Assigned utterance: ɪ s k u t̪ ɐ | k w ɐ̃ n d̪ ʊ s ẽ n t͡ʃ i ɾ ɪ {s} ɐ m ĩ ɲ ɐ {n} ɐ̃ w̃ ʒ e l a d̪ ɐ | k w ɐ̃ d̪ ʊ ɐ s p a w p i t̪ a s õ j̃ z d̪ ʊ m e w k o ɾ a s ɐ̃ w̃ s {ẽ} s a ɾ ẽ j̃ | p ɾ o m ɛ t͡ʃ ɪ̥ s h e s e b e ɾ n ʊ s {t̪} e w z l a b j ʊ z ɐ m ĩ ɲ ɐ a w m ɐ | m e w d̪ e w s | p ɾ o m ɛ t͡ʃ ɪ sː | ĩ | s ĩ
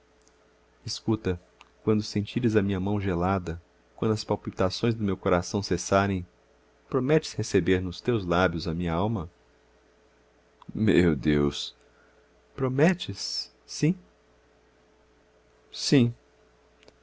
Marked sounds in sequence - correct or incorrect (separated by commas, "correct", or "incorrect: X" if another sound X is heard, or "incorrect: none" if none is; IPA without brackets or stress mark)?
incorrect: z, incorrect: m, incorrect: e, correct